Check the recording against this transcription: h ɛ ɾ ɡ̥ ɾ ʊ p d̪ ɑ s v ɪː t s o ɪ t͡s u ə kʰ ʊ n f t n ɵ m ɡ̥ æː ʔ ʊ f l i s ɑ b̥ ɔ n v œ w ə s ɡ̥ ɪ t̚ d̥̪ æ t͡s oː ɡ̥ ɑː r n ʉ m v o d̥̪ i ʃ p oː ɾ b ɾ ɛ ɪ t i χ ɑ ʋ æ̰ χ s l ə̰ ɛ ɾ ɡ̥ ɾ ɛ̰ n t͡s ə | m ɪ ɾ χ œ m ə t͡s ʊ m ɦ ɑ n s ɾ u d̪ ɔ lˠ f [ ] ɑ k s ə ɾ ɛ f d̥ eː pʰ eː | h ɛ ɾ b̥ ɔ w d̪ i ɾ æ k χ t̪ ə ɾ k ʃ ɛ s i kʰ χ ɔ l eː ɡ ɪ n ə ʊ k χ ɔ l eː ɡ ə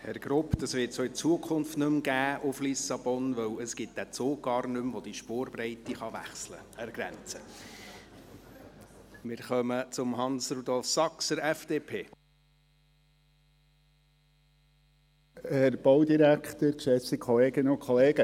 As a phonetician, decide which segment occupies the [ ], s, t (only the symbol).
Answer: s